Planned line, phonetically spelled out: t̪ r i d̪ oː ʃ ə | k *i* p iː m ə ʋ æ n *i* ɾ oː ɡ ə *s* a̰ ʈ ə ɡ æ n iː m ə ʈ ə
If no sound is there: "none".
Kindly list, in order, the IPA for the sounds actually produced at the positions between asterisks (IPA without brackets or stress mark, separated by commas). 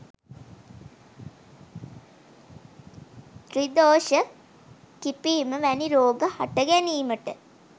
i, i, h